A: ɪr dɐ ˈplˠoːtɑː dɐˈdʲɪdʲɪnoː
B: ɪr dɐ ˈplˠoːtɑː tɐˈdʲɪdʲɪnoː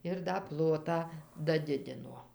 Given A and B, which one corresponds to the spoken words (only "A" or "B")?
A